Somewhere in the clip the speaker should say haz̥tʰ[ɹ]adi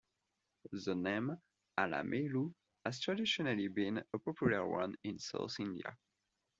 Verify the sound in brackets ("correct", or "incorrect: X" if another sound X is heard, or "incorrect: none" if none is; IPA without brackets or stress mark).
correct